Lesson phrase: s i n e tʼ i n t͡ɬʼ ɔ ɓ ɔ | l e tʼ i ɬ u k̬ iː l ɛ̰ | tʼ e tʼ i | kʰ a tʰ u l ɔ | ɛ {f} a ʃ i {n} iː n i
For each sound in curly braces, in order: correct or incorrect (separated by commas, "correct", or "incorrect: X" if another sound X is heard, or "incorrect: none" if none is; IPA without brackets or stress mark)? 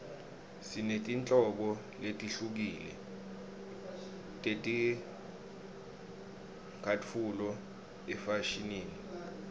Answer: correct, correct